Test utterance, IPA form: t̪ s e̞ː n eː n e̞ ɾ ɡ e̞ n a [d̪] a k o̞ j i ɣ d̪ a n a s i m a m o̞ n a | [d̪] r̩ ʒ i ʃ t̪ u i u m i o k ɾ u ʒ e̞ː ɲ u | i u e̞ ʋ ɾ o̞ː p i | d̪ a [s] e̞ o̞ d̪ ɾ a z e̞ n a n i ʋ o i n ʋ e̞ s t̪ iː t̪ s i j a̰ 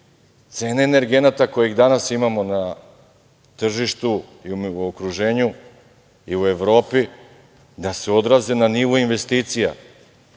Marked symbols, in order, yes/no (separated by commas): no, no, yes